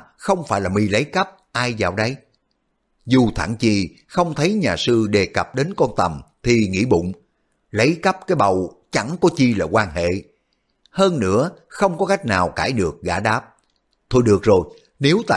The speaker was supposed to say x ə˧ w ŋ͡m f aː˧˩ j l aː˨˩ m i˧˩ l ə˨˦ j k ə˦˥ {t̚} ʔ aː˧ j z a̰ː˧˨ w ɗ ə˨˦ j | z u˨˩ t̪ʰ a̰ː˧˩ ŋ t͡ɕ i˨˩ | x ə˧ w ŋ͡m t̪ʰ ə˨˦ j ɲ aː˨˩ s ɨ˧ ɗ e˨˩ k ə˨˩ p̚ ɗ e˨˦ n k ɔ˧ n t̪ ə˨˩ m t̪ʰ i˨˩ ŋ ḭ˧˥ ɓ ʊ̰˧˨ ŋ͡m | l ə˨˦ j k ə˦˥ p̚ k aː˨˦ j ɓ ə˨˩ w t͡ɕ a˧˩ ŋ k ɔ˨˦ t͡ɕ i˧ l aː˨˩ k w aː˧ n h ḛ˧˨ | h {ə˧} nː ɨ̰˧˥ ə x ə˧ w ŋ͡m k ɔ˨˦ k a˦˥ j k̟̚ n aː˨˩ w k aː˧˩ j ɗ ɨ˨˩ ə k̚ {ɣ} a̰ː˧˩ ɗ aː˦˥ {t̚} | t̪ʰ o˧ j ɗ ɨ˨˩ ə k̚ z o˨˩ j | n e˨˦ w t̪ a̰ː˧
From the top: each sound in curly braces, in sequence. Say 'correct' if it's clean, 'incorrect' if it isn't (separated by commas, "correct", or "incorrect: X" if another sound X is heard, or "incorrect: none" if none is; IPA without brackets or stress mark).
incorrect: p̚, incorrect: əː˧, correct, incorrect: p̚